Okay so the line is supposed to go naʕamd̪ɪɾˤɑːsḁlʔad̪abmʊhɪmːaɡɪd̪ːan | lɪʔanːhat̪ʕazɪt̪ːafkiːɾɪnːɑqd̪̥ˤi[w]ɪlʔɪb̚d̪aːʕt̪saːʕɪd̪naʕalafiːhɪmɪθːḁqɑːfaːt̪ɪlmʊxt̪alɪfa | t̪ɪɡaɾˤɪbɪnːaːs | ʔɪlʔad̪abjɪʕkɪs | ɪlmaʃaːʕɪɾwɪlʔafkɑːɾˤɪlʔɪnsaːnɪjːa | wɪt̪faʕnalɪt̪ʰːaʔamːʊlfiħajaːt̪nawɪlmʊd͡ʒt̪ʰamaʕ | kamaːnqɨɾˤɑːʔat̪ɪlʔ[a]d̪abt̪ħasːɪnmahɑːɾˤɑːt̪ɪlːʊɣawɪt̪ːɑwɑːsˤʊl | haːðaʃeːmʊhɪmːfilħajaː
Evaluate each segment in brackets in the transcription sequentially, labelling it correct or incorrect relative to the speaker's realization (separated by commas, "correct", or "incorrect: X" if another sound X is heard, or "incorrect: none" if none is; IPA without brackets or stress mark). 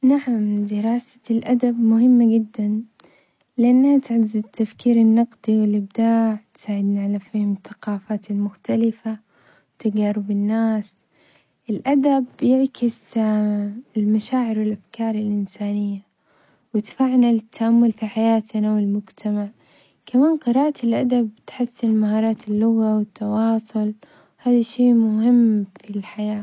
correct, correct